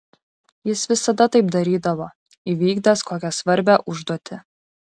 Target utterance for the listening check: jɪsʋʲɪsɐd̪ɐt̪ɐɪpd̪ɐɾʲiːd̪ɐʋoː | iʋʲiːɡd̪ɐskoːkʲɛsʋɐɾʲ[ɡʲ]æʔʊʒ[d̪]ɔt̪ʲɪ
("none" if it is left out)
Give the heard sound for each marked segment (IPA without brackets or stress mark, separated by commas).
bʲ, d̪